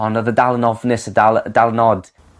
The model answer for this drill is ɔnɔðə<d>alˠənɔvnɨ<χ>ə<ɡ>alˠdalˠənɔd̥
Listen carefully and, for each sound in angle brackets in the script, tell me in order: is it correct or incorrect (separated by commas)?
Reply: correct, incorrect, incorrect